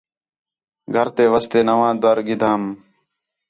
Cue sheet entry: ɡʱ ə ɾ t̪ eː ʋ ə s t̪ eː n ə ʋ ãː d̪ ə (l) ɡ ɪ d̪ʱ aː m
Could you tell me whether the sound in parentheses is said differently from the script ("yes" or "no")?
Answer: yes